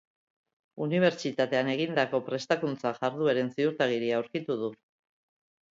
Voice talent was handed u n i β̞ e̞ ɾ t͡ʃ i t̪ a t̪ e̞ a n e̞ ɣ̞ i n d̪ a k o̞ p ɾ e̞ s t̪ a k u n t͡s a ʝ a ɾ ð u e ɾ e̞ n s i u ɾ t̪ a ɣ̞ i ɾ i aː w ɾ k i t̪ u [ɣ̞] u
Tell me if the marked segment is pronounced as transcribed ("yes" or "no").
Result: no